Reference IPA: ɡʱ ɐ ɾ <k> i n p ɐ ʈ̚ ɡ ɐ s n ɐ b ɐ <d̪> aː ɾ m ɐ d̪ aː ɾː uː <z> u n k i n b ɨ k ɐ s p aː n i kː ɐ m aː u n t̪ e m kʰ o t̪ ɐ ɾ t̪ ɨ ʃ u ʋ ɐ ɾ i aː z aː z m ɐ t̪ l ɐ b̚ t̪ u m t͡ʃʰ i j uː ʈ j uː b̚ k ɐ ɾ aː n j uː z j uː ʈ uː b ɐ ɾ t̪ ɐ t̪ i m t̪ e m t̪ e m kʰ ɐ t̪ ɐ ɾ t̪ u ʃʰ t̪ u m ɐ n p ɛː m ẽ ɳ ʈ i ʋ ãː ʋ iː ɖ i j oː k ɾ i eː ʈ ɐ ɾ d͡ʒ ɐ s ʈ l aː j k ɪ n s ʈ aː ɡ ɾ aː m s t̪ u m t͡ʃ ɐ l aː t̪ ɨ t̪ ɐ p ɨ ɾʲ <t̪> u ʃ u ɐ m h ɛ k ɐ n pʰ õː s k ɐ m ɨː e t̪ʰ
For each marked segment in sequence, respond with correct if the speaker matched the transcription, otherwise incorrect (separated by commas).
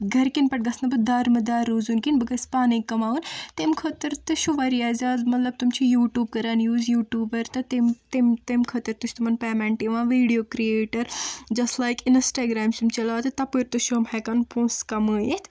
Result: correct, correct, correct, correct